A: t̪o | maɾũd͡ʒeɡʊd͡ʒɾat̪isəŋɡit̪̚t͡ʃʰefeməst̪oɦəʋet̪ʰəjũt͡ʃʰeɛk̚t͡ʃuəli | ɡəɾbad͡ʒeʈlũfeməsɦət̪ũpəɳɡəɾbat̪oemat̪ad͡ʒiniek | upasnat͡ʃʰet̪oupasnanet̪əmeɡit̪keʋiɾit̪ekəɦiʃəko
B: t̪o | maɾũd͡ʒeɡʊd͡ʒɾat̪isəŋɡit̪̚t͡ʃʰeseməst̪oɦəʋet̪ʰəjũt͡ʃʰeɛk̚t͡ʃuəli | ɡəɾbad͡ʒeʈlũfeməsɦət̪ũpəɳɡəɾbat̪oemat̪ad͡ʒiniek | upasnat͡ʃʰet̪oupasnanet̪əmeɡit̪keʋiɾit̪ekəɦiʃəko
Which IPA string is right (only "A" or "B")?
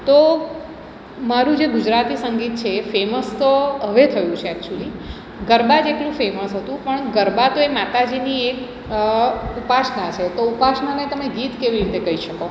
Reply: A